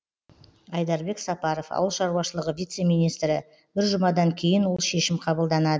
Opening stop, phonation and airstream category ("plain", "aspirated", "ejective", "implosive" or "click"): plain